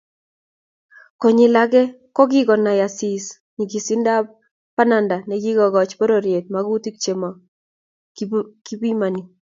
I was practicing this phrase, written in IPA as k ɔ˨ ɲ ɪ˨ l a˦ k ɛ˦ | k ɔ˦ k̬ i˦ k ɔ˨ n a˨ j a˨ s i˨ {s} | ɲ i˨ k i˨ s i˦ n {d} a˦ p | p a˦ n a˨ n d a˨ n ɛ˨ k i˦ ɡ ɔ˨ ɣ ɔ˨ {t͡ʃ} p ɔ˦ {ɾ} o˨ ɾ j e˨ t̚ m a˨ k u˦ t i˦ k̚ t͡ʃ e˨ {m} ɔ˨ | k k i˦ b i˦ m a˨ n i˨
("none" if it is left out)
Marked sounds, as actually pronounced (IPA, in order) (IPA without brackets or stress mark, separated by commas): s, d, t͡ʃ, ɾ, m